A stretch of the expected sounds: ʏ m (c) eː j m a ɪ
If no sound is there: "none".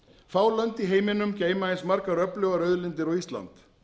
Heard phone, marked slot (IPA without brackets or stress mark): c